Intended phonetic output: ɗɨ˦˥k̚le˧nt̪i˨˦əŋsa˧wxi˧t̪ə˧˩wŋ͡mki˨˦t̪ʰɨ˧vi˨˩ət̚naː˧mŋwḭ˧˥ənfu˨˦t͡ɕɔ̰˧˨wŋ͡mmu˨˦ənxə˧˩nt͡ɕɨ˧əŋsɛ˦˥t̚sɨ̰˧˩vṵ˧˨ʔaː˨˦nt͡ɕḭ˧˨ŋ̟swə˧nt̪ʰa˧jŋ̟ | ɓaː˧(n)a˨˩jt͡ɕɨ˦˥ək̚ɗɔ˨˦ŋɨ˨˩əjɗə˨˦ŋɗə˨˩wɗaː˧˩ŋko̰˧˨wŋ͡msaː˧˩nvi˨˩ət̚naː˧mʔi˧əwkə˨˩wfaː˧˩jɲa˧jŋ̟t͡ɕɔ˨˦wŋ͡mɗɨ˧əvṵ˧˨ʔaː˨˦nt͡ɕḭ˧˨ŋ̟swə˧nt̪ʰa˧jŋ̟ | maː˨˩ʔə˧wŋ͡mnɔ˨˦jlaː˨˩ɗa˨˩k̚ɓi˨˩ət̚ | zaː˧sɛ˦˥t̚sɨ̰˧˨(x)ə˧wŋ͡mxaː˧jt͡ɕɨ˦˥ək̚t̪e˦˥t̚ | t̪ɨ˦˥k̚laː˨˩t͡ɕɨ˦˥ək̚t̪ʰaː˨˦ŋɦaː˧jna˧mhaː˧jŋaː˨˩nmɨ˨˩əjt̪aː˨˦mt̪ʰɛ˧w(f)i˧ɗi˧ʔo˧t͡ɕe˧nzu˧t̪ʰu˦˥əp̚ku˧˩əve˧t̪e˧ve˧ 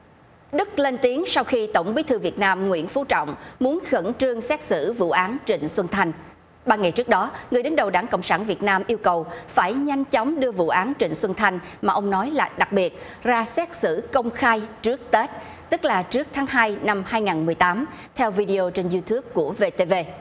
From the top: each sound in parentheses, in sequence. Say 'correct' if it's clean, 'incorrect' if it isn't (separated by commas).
incorrect, incorrect, incorrect